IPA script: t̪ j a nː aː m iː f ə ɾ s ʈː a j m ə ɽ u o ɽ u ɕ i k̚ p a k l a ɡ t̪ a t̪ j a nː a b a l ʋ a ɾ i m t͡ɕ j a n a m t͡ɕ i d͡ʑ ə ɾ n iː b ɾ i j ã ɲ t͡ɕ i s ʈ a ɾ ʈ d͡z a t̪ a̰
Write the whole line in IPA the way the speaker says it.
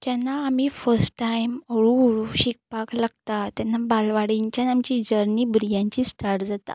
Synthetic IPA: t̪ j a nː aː m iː f ə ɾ s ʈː a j m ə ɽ u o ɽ u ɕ i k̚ p a k l a ɡ t̪ a t̪ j a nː a b a l ʋ a ɽ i ɲ t͡ɕ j a n a m t͡ɕ i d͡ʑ ə ɾ n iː b ɾ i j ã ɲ t͡ɕ i s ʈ a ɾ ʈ d͡z a t̪ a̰